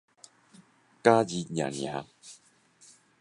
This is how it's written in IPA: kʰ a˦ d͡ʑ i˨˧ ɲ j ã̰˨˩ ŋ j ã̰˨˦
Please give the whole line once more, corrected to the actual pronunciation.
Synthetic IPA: k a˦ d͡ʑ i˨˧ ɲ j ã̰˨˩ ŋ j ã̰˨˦